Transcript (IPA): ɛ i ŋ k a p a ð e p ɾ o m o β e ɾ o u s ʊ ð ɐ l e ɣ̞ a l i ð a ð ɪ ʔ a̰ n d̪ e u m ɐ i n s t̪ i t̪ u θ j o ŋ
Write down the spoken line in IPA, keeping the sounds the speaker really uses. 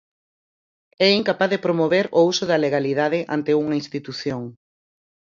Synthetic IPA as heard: ɛ i ŋ k a p a ð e p ɾ o m o β e ɾ o u s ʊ ð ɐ l e ɣ̞ a l i ð a ð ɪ ʔ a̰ n t̪ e u ŋ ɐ i n s t̪ i t̪ u θ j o ŋ